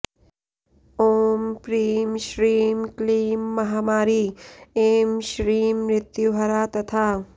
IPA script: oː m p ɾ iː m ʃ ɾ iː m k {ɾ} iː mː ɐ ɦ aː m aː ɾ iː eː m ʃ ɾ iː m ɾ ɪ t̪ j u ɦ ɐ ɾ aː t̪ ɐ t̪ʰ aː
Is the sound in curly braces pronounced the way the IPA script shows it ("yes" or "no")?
no